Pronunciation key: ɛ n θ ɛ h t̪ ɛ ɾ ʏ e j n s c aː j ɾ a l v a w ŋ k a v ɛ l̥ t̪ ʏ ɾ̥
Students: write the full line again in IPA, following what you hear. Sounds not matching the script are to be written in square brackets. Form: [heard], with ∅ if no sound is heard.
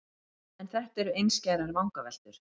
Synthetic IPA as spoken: ɛ n θ ɛ h t̪ ɛ ɾ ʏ e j n s c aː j ɾ a [ɾ] v a w ŋ k a v ɛ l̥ t̪ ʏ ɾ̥